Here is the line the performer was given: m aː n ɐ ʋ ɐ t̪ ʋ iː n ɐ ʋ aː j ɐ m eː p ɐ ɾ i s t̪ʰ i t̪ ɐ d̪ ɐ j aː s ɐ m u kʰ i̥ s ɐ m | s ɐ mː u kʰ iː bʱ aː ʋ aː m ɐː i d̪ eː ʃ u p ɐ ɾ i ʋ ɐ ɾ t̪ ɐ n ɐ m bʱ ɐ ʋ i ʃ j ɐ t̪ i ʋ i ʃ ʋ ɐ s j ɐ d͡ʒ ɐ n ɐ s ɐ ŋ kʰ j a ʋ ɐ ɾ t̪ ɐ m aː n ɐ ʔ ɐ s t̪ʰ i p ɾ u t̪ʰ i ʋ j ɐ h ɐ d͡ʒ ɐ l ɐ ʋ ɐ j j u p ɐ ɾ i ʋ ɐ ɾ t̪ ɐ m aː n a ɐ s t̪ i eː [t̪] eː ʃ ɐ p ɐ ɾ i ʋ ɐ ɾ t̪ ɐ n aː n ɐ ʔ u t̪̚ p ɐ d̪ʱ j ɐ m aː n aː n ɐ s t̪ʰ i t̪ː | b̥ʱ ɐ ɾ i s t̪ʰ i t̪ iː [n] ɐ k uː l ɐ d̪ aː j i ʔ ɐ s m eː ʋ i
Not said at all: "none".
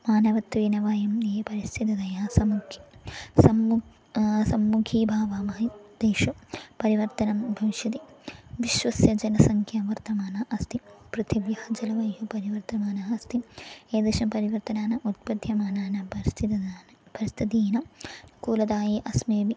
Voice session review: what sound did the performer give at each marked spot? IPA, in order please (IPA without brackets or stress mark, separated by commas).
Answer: d̪, n